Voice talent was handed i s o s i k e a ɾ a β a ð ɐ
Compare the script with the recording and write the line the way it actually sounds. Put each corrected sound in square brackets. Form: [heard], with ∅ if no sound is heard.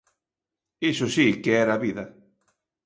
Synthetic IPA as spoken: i s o s i k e [ɛ] ɾ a β [i] ð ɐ